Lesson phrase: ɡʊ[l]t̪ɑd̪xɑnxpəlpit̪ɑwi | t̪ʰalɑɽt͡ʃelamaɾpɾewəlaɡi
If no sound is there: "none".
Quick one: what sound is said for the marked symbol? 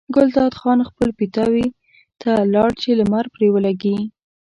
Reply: l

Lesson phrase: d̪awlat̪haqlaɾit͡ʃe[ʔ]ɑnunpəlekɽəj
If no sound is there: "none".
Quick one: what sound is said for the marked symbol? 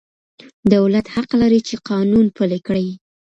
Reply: q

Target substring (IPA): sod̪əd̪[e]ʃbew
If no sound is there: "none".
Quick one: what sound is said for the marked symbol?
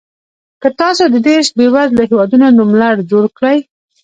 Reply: e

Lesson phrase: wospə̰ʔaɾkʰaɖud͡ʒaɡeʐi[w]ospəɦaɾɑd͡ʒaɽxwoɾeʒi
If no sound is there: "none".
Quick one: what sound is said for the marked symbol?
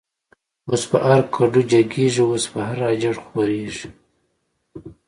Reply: w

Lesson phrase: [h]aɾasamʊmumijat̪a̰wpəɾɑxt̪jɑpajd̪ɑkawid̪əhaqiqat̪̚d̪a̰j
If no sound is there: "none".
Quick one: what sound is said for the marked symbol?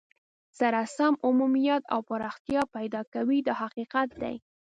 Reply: s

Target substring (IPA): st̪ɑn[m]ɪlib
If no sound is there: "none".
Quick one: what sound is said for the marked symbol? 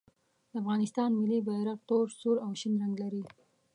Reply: m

